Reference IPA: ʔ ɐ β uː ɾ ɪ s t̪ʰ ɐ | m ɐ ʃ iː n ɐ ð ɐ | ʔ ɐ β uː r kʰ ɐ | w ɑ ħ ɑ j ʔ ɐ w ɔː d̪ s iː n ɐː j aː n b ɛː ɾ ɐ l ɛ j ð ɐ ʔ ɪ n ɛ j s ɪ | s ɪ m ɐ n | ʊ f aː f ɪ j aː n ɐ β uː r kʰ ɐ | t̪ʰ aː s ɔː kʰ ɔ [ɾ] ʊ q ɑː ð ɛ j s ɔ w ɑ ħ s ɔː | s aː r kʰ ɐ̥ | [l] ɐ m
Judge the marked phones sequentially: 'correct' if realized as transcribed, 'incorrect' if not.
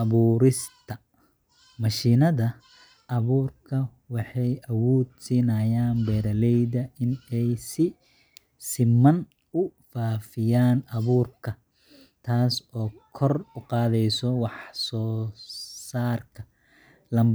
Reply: incorrect, correct

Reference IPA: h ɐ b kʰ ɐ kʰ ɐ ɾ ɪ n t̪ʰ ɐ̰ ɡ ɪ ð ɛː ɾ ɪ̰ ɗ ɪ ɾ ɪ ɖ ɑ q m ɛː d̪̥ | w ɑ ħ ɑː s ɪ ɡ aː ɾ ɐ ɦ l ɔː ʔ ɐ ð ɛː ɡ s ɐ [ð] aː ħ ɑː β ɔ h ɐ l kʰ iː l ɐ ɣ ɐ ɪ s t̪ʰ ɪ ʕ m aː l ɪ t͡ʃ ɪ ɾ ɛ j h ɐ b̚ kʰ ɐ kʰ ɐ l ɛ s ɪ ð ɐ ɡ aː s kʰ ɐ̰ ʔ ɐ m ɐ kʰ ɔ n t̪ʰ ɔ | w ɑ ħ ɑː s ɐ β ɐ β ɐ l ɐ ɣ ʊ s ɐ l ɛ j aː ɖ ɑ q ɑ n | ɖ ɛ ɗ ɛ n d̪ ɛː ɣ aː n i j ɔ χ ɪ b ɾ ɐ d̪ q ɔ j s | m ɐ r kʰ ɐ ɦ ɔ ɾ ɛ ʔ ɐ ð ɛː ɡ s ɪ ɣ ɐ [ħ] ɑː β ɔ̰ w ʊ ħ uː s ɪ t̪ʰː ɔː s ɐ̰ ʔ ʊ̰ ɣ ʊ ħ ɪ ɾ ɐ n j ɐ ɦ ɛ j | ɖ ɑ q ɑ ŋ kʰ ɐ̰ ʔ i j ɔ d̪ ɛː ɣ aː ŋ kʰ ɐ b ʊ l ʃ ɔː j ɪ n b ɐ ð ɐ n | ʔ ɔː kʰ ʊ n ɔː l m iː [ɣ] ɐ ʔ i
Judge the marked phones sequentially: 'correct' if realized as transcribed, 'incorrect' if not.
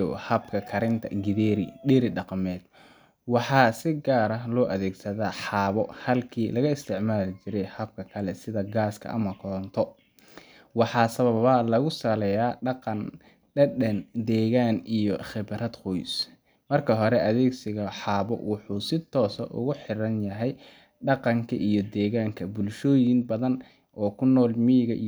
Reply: correct, correct, correct

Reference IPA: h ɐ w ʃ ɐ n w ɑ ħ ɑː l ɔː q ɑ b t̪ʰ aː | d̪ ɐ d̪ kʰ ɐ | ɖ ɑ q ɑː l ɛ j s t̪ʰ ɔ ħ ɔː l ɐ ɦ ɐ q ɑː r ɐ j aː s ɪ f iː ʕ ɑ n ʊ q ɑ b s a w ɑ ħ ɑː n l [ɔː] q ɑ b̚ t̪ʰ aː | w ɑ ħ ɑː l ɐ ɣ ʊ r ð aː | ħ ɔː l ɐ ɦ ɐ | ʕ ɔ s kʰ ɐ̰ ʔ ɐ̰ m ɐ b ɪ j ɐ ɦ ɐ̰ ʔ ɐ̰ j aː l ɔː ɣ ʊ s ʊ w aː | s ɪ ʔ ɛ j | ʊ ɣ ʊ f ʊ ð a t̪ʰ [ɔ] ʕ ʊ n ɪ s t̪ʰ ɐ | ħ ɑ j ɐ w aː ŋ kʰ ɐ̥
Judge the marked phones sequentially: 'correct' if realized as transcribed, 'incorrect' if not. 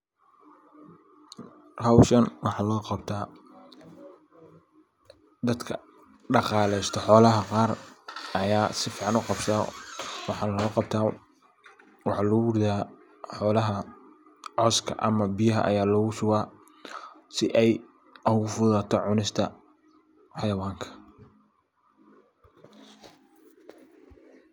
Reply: correct, correct

